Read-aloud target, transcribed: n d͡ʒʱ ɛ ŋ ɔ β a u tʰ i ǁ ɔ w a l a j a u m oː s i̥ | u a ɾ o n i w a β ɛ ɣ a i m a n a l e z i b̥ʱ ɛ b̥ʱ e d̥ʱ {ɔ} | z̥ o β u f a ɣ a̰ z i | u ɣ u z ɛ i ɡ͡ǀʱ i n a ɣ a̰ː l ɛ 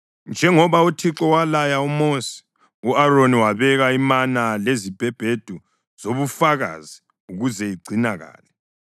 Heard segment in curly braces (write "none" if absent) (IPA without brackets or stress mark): u